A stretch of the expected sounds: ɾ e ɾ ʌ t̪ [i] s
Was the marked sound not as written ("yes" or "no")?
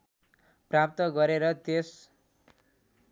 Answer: yes